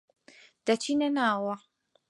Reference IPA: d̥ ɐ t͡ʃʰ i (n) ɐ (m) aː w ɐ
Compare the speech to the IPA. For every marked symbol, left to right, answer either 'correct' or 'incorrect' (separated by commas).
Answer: correct, incorrect